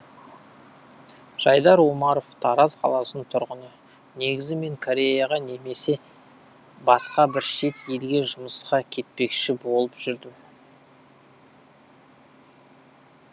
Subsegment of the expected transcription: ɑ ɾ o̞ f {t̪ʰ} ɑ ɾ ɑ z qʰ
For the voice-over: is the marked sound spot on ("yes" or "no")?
yes